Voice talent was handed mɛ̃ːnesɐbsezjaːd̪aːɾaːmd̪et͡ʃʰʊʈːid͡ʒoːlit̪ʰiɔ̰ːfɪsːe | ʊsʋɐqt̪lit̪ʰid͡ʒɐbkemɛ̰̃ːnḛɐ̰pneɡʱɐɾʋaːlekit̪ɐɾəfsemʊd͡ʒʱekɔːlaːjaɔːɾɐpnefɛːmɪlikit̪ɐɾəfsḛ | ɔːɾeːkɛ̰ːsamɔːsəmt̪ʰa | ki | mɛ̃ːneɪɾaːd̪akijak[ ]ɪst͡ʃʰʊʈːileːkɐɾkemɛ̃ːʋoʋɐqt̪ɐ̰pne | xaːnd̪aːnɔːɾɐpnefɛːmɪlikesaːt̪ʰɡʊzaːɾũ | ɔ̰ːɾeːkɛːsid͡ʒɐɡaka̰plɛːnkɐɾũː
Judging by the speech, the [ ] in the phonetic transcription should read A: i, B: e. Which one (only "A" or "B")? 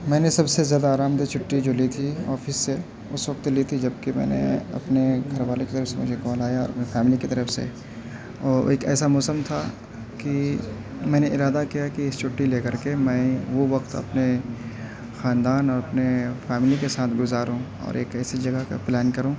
A